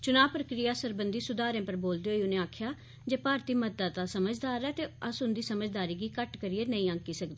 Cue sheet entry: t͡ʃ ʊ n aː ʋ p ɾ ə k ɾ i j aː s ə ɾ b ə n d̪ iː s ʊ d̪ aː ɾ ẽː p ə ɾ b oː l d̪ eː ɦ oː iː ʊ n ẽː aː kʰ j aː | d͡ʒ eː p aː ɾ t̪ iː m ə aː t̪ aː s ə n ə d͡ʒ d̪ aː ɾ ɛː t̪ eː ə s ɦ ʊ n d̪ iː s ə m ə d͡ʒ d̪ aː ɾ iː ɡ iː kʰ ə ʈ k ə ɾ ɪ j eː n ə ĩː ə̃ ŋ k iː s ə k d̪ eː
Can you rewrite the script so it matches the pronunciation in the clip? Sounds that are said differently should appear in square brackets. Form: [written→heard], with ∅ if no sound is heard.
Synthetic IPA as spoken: t͡ʃ ʊ n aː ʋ p ɾ ə k ɾ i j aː s ə ɾ b ə n d̪ iː s ʊ d̪ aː ɾ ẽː p ə ɾ b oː l d̪ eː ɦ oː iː ʊ n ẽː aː kʰ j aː | d͡ʒ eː p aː ɾ t̪ iː m ə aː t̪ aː s ə [n→m] ə d͡ʒ d̪ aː ɾ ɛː t̪ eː ə s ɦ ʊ n d̪ iː s ə m ə d͡ʒ d̪ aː ɾ iː ɡ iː [kʰ→k] ə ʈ k ə ɾ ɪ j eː n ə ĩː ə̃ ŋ k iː s ə k d̪ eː